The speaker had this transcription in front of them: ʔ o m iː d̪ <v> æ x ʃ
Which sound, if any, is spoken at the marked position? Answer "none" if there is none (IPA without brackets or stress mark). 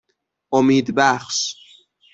b